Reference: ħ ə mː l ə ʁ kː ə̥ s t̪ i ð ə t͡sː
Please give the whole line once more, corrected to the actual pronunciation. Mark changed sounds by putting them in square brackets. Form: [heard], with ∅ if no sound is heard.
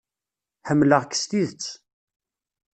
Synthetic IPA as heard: ħ ə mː l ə ʁ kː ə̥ s t̪ i ð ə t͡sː